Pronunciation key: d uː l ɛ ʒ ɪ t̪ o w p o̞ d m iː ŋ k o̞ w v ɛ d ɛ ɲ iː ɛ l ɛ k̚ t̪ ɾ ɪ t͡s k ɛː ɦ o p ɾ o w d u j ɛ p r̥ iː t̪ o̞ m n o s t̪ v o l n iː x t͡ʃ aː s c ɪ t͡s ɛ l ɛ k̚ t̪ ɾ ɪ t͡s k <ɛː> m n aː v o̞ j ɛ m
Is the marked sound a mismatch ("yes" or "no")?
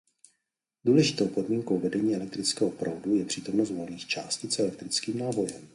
yes